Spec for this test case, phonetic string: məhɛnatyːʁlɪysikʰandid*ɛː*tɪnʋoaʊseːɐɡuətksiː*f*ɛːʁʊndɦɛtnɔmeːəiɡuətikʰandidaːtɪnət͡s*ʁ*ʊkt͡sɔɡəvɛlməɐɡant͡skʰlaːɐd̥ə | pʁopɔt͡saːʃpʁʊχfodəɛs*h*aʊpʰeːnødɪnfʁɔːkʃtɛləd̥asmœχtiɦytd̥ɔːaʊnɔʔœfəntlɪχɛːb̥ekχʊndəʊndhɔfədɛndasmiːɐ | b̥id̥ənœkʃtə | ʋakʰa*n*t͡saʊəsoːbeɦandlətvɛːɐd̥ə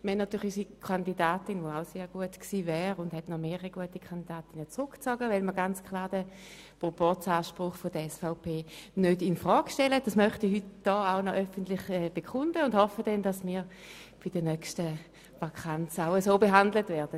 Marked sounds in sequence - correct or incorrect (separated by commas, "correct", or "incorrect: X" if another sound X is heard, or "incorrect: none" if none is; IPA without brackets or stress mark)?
incorrect: aː, incorrect: v, correct, incorrect: f, correct